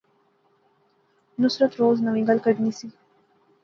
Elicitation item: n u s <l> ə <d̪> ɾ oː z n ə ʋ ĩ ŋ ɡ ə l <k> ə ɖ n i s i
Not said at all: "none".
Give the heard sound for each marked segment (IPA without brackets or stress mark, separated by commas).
ɾ, t̪, k